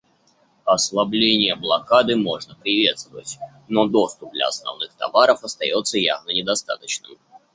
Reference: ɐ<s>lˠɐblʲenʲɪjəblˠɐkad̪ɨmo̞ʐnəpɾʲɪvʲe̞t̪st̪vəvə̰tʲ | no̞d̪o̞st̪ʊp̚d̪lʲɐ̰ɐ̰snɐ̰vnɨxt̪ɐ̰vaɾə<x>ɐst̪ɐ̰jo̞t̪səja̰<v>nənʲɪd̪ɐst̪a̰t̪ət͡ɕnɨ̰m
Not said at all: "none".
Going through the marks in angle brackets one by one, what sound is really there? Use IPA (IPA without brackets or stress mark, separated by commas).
s, f, v